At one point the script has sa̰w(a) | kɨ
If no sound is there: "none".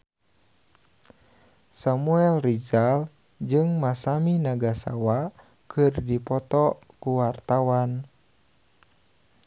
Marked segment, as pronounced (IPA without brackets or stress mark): a